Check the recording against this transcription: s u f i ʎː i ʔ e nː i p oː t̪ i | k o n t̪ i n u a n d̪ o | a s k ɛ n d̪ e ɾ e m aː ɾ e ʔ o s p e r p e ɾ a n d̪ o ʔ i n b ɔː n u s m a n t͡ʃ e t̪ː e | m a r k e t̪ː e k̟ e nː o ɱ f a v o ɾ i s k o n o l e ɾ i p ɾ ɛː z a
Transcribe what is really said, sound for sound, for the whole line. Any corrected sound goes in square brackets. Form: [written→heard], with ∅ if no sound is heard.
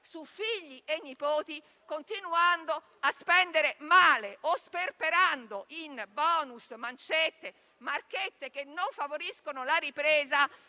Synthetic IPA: s u f i ʎː i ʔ e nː i p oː t̪ i | k o n t̪ i n u a n d̪ o | a s [k→p] ɛ n d̪ e ɾ e m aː [ɾ→l] e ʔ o s p e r p e ɾ a n d̪ o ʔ i n b ɔː n u s m a n t͡ʃ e t̪ː e | m a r k e t̪ː e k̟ e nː o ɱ f a v o ɾ i s k o n o l [e→a] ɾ i p ɾ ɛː z a